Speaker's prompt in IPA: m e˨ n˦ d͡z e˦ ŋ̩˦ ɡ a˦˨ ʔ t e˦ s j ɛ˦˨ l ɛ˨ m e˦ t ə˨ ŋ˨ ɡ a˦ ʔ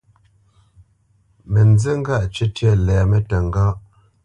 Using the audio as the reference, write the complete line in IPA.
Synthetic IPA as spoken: m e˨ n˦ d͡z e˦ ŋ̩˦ ɡ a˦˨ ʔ t͡ʃ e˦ t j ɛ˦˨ l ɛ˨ m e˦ t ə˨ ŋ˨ ɡ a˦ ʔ